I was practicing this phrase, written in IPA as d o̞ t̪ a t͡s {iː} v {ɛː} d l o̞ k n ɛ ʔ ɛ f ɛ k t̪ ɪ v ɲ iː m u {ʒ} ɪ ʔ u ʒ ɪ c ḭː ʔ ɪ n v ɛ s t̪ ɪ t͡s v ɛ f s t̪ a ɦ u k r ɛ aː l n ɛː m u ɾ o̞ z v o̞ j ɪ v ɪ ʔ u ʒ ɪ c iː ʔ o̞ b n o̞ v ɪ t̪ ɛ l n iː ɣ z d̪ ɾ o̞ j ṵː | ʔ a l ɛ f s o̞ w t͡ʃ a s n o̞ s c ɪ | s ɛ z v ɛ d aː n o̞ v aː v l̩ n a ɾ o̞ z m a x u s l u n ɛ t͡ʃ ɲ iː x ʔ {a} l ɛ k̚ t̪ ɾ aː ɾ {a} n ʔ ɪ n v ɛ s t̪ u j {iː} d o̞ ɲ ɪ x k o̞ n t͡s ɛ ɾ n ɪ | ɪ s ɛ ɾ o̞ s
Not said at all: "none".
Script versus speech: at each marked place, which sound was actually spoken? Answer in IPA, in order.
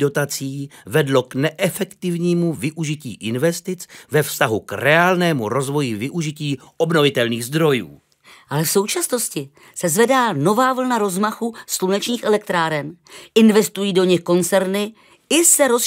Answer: iː, ɛ, v, ɛ, ɛ, iː

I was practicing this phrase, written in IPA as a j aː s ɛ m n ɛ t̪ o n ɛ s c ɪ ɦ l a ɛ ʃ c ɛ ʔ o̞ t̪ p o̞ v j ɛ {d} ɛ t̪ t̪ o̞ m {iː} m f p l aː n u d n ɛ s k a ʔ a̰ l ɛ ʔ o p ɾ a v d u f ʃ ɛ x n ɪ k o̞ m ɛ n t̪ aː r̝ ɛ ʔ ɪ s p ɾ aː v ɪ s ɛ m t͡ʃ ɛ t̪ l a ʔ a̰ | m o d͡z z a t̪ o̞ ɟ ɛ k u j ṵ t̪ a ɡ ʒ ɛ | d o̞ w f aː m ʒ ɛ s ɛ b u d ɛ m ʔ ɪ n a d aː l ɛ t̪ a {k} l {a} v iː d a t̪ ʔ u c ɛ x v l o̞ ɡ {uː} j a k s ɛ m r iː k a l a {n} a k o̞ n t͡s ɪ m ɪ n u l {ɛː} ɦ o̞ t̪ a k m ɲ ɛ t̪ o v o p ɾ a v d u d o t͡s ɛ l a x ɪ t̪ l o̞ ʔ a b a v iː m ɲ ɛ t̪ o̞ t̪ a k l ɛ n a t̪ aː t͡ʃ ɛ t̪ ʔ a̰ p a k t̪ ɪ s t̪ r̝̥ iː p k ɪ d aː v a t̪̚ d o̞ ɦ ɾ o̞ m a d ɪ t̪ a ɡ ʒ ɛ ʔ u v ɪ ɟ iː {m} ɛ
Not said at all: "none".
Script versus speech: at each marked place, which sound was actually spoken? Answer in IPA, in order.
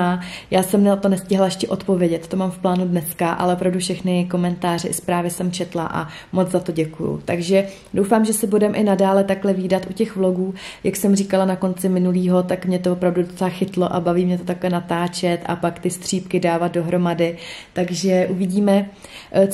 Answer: ɟ, aː, k, ɛ, uː, n, iː, m

